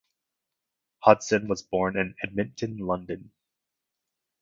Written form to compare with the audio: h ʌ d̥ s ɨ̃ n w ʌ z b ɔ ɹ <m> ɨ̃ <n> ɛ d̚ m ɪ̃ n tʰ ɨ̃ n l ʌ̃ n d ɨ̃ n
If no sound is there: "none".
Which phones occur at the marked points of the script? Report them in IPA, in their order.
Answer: n, n

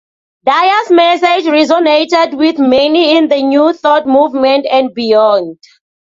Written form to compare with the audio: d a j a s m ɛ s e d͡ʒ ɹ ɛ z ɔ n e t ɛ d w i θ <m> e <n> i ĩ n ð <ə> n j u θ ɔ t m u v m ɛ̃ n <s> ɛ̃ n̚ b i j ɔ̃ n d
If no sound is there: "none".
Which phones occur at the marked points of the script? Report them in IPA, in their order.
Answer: m, n, ə, t

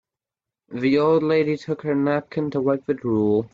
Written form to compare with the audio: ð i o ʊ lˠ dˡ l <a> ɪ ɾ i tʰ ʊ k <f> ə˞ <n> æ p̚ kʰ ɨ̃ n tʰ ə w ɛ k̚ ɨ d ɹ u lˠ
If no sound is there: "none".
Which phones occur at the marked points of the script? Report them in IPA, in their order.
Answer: e, h, n

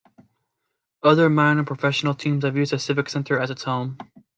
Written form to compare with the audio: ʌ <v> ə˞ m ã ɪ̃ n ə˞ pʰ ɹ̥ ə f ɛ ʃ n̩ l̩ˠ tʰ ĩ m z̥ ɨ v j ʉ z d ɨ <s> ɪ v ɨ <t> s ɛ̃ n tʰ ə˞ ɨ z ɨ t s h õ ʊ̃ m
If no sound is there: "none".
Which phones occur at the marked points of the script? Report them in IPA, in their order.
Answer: ð, s, k

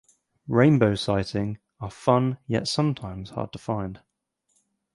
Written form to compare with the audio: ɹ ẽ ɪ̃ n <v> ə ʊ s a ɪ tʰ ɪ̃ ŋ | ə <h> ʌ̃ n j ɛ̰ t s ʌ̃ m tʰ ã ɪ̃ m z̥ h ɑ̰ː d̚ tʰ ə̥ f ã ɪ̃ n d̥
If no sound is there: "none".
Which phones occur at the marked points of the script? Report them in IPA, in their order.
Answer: b, f

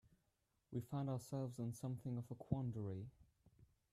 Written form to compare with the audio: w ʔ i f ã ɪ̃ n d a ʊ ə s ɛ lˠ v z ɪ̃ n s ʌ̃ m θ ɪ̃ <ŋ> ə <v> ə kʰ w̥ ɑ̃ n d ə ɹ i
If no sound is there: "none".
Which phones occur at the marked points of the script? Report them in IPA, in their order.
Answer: ŋ, v

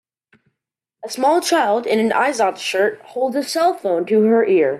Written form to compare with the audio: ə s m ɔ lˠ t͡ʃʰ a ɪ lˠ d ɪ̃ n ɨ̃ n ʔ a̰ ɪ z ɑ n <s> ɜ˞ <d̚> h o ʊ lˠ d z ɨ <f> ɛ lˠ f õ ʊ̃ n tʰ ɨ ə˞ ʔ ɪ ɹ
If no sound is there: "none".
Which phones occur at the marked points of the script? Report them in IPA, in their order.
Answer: ʃ, t̚, s

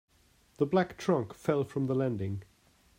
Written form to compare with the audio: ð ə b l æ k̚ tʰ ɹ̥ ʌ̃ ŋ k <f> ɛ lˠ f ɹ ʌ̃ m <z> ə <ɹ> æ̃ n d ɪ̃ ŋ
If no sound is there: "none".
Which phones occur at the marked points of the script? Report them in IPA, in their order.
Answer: f, ð, l

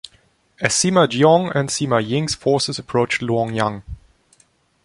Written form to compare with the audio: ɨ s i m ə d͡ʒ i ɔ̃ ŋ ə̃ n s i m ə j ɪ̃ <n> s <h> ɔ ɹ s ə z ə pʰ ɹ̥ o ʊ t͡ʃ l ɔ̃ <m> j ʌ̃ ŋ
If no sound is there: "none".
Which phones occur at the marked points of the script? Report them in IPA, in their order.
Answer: ŋ, f, ŋ

